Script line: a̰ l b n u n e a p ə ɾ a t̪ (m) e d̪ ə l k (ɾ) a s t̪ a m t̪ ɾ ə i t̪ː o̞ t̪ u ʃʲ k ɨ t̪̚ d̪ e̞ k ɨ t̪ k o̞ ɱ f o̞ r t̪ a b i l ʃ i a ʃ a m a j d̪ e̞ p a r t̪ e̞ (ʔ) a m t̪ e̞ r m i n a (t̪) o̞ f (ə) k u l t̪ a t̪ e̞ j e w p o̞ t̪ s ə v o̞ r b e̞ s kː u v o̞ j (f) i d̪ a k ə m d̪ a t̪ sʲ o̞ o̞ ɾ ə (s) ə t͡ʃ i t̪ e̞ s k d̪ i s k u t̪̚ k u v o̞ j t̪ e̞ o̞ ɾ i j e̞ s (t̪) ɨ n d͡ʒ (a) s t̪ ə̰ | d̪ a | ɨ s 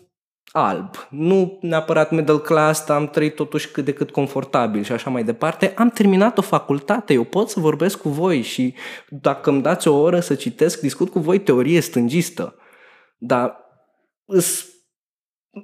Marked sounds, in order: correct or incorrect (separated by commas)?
correct, incorrect, correct, correct, incorrect, incorrect, correct, correct, incorrect